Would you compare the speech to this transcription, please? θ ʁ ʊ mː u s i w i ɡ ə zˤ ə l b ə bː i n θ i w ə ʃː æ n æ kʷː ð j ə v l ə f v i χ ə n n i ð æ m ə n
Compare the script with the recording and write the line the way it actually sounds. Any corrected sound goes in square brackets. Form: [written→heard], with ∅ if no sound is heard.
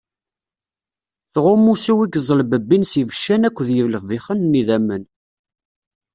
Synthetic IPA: θ ʁ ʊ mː u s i w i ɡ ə zˤ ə l b ə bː i n [θ→s] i [w→v] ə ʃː æ n æ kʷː ð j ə v l ə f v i χ ə n n i ð æ m ə n